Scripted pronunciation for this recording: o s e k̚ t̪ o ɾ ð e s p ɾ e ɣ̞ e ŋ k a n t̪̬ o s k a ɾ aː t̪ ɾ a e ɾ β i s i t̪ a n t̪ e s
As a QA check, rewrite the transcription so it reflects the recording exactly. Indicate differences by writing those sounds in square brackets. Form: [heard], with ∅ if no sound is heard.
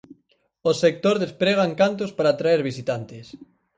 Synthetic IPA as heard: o s e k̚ t̪ o ɾ ð e s p ɾ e ɣ̞ [a] ŋ k a n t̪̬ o s [p] a ɾ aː t̪ ɾ a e ɾ β i s i t̪ a n t̪ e s